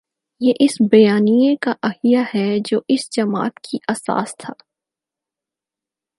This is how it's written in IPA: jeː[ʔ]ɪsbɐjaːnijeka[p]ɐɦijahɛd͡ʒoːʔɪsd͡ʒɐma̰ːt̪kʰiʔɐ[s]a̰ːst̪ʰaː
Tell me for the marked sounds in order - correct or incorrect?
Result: correct, incorrect, correct

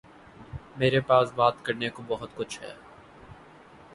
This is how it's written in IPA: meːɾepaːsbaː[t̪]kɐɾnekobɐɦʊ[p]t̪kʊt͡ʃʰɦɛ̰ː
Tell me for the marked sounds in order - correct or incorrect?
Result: correct, incorrect

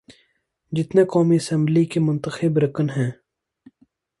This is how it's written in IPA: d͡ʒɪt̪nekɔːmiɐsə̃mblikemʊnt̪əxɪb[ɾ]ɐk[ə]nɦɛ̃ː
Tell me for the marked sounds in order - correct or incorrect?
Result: correct, correct

